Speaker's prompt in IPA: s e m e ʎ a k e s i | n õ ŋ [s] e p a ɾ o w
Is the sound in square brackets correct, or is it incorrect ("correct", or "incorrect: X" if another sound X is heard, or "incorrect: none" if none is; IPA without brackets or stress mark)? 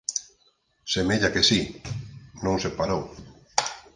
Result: correct